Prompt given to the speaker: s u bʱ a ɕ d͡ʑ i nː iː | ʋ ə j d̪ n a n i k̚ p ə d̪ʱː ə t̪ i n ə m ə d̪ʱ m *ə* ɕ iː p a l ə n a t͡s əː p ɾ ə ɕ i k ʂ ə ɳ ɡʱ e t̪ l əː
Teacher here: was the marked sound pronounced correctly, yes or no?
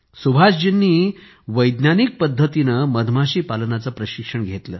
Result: no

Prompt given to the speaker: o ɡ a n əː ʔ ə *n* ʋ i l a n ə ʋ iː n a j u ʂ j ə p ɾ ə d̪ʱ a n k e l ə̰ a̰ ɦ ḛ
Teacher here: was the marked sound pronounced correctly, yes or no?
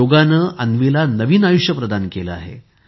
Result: yes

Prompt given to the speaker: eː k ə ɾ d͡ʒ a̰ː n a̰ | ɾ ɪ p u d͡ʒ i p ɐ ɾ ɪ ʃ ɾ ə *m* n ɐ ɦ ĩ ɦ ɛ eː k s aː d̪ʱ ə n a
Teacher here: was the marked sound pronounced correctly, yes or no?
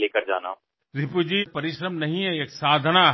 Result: yes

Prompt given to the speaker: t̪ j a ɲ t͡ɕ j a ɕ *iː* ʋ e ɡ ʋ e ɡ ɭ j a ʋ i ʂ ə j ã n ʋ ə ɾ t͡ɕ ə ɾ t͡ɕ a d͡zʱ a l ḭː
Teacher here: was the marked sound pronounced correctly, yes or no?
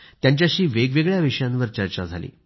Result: yes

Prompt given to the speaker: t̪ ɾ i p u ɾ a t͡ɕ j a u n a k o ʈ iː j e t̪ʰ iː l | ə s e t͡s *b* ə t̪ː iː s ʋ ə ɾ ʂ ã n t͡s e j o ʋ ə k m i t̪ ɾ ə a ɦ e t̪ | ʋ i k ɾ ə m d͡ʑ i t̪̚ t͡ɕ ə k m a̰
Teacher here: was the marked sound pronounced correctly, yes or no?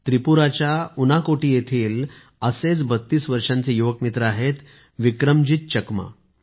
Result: yes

